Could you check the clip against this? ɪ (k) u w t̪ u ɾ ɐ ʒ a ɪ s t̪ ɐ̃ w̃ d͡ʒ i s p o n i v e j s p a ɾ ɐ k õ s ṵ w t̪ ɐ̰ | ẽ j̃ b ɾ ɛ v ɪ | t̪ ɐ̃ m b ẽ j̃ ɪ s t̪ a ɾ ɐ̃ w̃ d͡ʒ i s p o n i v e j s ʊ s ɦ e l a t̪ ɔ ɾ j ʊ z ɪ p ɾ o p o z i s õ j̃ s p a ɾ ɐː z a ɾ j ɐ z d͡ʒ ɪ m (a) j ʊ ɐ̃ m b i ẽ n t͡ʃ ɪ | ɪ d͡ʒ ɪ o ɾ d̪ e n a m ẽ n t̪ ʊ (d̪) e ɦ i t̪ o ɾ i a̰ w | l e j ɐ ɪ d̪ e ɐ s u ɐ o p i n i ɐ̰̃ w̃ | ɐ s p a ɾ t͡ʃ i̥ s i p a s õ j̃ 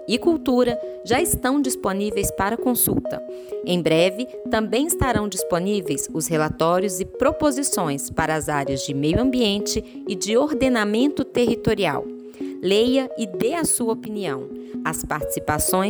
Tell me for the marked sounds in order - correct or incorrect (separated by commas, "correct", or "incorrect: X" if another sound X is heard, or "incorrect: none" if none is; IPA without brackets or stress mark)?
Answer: correct, incorrect: e, incorrect: t̪